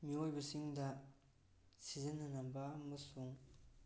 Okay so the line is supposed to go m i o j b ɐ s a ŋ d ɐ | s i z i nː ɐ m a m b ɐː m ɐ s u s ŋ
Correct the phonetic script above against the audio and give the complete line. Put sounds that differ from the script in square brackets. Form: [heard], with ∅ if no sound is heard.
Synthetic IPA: m i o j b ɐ s [i] ŋ d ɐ | s i z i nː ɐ [n] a m b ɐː m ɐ s u [∅] ŋ